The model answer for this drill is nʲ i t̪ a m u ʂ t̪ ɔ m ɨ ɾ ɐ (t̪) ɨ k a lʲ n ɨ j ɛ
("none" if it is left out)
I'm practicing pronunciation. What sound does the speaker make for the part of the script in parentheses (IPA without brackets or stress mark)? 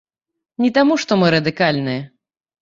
d̪